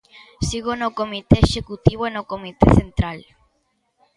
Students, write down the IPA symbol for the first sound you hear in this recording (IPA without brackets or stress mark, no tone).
s